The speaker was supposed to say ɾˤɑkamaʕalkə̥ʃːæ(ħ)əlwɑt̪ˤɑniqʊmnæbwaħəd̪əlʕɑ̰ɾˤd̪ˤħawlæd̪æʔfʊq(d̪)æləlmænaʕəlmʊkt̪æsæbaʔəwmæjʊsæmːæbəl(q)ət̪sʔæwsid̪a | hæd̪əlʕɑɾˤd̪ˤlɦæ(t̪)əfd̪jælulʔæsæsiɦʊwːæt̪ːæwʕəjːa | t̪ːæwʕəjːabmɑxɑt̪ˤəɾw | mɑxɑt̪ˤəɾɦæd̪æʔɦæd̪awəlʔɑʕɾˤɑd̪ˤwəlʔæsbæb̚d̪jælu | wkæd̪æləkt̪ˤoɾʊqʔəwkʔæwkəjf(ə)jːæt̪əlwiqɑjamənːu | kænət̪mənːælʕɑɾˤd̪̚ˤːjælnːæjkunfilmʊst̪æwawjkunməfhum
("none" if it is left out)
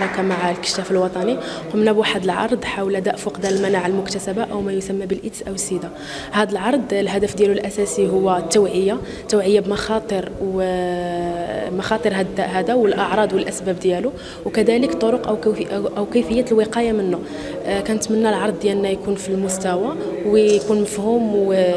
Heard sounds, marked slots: f, d̪, ʔ, d̪, ə

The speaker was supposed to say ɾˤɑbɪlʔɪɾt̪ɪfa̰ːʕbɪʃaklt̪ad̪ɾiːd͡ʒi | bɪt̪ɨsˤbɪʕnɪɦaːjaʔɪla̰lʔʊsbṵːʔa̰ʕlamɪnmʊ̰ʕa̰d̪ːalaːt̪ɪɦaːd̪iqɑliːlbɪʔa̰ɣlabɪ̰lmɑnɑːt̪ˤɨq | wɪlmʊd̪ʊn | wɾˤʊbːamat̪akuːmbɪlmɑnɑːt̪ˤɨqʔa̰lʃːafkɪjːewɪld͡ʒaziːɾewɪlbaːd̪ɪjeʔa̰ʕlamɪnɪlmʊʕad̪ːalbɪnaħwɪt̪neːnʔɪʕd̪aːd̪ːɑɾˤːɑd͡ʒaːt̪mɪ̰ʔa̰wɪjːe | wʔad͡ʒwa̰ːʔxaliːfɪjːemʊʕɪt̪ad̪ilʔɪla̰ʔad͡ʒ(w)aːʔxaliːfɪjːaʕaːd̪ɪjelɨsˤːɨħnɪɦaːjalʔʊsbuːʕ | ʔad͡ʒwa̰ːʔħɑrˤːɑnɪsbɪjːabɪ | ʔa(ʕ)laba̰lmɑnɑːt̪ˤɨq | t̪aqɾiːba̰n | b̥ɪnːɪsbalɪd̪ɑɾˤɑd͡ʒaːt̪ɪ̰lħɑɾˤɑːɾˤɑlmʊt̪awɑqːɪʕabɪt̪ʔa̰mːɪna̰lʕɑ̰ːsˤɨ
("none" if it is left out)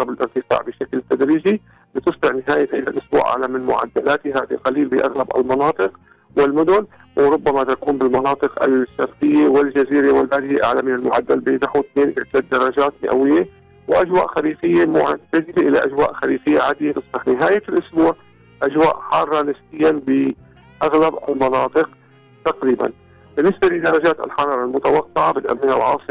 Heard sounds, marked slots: w, ɣ

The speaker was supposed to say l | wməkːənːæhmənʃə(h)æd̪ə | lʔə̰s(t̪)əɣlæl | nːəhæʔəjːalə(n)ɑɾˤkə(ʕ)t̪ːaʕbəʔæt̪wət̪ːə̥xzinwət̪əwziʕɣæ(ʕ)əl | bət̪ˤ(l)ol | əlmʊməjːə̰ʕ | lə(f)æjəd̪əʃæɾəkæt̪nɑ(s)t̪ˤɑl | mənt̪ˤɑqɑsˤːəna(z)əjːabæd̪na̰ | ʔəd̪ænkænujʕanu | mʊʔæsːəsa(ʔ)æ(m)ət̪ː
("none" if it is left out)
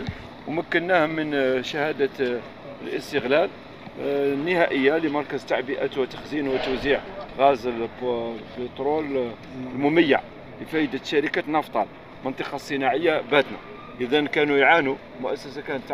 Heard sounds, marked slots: h, t̪, m, z, z, ɾ, f, f, ʕ, k, n

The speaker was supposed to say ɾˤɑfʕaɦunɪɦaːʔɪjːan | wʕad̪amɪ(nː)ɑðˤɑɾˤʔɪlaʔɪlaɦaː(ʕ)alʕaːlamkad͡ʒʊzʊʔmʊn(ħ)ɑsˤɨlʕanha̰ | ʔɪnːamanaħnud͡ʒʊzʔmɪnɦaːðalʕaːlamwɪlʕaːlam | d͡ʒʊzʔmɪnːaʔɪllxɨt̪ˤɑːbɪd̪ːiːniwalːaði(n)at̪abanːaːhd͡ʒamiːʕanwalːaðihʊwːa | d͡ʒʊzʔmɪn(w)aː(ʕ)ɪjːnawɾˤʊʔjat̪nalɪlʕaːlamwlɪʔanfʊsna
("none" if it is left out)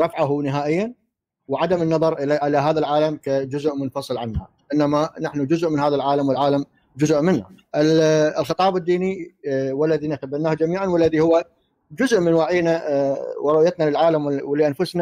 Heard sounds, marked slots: nː, ð, f, n, w, ʕ

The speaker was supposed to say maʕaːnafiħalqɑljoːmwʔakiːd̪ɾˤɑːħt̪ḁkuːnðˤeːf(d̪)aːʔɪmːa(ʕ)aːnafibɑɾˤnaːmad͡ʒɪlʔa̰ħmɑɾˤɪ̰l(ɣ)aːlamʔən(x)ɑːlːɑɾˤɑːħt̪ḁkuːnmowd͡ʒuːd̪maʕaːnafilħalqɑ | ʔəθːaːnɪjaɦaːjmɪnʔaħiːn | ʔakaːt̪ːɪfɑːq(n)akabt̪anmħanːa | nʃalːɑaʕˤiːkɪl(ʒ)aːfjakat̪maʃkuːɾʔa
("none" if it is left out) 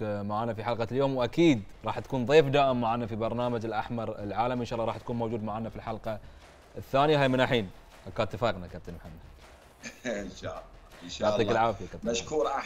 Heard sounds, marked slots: d̪, ʕ, ʕ, ʃ, n, ʕ

